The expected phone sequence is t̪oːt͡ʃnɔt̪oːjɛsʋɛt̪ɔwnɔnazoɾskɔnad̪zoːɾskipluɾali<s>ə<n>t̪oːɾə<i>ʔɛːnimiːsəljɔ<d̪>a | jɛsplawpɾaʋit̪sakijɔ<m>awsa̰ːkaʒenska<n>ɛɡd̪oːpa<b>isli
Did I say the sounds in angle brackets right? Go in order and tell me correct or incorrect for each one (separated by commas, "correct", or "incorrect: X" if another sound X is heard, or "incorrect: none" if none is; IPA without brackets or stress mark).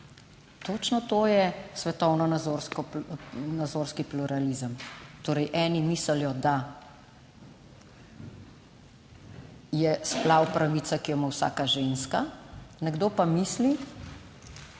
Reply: incorrect: z, incorrect: m, incorrect: j, correct, correct, correct, incorrect: m